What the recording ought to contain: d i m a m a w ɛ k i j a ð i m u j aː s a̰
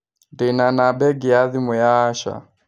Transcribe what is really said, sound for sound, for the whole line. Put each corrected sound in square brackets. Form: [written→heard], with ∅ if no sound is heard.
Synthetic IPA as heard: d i [m→n] a [m→n] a [w→b] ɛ [k→ɡ] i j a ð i m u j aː [s→ʃ] a̰